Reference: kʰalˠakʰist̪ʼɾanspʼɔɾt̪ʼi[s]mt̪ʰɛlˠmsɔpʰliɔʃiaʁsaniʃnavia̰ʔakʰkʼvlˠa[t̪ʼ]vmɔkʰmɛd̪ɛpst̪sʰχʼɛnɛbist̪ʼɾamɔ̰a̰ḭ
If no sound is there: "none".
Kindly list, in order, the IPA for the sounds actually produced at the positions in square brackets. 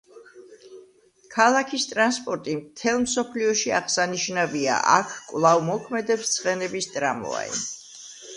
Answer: none, none

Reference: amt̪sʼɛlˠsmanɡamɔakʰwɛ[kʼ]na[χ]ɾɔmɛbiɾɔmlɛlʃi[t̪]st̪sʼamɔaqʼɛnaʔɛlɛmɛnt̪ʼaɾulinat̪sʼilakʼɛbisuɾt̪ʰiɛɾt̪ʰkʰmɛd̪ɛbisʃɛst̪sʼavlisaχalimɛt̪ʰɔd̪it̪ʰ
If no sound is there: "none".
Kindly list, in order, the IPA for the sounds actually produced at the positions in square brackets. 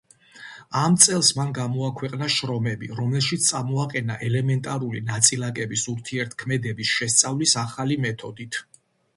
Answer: qʼ, ʃ, t̪

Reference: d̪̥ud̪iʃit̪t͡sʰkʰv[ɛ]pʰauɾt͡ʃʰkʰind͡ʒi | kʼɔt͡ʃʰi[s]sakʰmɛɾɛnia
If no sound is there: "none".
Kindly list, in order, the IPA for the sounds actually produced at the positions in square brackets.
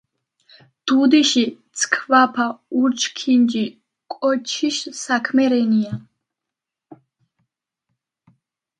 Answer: a, ʃ

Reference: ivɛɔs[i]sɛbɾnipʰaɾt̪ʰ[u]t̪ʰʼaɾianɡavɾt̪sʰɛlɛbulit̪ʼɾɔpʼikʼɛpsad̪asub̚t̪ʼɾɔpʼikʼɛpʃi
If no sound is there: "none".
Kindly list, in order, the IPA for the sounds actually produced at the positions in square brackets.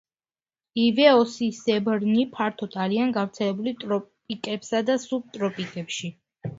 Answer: i, ɔ

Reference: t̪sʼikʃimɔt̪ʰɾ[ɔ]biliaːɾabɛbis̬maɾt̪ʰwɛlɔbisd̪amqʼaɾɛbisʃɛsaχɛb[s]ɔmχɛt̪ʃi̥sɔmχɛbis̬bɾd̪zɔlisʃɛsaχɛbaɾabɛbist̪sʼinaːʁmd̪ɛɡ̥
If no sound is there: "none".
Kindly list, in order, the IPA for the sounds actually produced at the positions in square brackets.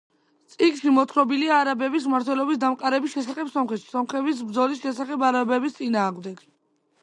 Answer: ɔ, s

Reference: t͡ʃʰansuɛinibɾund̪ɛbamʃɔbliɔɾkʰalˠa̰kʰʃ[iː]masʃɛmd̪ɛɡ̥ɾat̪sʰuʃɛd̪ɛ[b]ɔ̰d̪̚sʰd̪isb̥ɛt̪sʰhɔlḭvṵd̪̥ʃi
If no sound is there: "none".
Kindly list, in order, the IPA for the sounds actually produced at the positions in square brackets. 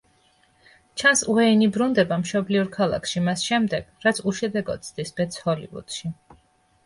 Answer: i, ɡ

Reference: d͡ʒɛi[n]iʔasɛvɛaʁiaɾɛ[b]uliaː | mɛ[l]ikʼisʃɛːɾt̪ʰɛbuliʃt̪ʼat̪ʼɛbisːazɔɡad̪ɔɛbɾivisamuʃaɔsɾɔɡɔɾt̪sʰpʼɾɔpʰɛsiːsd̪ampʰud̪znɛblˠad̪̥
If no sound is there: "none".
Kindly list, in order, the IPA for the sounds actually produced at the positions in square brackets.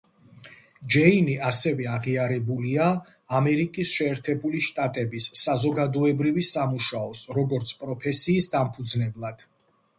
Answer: n, b, ɾ

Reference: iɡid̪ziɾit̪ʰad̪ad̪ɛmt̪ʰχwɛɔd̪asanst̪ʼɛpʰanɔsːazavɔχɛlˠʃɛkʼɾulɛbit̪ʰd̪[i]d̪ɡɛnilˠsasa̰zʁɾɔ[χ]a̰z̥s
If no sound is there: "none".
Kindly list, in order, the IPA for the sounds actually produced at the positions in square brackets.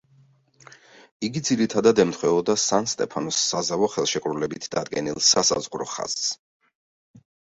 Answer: a, χ

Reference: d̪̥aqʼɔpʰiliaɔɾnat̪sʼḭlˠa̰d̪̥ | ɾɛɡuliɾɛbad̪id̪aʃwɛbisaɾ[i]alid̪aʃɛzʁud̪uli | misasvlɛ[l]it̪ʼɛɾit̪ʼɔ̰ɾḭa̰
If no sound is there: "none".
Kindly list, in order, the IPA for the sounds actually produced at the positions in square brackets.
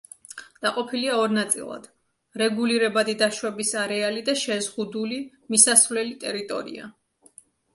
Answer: ɛ, l

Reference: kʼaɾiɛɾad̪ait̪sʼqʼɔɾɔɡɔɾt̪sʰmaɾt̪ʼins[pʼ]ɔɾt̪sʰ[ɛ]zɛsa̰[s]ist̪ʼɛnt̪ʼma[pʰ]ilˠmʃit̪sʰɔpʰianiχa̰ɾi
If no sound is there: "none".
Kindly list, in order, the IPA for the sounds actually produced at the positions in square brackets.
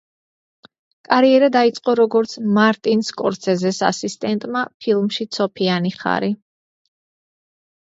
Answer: kʼ, ɛ, s, pʰ

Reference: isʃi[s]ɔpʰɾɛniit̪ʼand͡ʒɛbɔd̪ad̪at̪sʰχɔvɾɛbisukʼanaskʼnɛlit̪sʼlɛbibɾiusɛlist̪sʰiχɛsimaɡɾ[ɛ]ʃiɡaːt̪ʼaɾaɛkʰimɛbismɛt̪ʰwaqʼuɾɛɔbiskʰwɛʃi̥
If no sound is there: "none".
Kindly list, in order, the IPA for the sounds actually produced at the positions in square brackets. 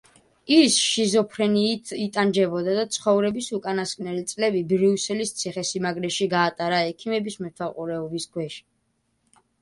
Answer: z, ɛ

